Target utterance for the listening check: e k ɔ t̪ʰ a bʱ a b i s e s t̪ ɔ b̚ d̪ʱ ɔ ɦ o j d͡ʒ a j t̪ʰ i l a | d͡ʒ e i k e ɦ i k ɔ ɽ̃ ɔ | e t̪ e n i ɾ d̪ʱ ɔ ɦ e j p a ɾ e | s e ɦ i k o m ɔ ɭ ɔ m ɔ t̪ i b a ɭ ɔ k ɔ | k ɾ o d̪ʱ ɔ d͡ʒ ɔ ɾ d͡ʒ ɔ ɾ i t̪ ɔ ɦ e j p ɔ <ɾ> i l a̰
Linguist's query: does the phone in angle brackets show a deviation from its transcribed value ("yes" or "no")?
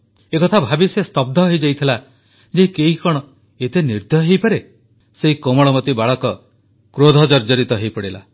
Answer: yes